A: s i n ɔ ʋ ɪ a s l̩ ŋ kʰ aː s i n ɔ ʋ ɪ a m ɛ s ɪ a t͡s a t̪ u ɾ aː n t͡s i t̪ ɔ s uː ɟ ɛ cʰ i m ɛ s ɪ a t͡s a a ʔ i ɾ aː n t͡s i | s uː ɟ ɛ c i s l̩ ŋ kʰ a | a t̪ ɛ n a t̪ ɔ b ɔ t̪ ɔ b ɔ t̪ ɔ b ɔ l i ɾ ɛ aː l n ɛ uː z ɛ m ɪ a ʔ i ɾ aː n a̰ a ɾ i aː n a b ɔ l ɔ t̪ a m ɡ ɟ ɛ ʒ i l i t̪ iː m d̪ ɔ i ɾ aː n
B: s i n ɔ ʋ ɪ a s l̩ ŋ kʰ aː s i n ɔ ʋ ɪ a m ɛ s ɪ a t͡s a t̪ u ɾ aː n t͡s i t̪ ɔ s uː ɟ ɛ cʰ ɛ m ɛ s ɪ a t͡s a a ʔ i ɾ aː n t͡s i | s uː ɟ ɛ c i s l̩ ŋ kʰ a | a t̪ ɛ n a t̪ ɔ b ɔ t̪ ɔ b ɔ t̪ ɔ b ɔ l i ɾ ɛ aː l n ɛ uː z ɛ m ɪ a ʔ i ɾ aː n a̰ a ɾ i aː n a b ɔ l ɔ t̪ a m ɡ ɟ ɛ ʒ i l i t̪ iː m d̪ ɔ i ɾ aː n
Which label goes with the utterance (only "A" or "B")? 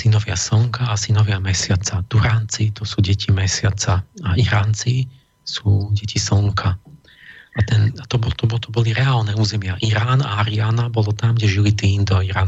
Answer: A